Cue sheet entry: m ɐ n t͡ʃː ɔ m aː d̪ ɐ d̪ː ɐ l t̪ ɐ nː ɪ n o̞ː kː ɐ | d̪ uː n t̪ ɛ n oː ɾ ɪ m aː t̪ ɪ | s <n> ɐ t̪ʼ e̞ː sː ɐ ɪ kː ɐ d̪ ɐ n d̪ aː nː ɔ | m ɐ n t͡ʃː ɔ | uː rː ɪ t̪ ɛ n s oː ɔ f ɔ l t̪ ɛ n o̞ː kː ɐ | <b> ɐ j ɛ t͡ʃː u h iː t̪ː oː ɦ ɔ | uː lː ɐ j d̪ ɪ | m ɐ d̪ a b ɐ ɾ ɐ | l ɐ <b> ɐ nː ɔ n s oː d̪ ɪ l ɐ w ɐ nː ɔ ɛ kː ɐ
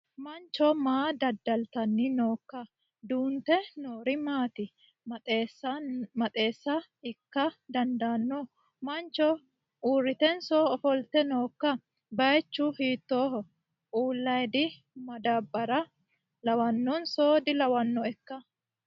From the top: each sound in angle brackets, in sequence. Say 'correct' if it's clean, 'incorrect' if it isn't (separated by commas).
incorrect, correct, incorrect